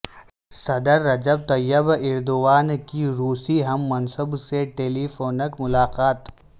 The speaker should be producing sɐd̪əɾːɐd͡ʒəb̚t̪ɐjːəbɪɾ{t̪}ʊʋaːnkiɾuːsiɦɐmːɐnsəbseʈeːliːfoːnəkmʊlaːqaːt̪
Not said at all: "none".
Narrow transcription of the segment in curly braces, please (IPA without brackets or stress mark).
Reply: d̪